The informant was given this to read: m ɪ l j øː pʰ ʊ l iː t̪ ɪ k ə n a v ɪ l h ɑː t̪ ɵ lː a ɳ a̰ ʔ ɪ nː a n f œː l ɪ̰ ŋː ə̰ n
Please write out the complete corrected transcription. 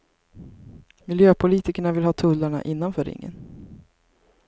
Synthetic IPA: m ɪ l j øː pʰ ʊ l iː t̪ ɪ k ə ɳ a v ɪ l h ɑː t̪ʰ ɵ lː a ɳ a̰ ʔ ɪ nː a n f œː ɾ ɪ̰ ŋː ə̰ n